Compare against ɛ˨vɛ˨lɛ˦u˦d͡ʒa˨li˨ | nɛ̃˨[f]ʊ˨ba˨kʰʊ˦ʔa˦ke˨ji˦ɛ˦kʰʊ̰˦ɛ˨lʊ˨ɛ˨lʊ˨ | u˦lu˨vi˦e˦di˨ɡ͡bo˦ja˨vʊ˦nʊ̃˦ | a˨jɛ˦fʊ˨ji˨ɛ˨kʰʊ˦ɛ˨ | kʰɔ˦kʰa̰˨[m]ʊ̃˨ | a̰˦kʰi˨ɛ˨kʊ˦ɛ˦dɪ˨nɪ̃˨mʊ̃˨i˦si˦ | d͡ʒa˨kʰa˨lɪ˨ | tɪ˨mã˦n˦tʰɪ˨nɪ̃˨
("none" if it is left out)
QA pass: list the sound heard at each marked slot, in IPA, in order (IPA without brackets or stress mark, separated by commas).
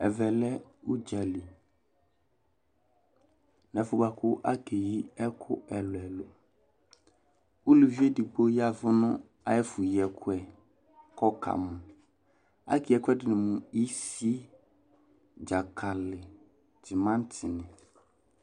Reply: f, m